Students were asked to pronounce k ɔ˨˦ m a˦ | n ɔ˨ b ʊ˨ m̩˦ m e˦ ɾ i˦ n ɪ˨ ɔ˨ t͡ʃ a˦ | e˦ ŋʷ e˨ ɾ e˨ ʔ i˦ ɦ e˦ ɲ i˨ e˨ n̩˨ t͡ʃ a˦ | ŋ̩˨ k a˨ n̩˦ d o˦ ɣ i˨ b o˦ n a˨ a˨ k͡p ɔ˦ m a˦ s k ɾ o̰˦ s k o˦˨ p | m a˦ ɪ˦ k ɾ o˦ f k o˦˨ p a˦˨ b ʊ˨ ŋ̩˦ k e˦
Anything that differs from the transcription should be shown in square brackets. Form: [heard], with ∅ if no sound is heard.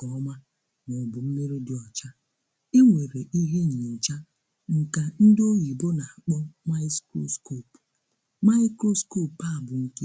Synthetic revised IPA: k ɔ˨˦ m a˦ | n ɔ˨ b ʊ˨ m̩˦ m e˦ ɾ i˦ [d] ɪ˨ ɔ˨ t͡ʃ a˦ | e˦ ŋʷ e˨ ɾ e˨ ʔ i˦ ɦ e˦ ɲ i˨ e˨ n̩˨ t͡ʃ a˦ | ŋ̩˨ k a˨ n̩˦ d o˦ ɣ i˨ b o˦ n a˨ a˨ k͡p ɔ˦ m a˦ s k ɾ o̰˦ s k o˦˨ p | m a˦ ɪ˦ k ɾ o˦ [s] k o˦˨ p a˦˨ b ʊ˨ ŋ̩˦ k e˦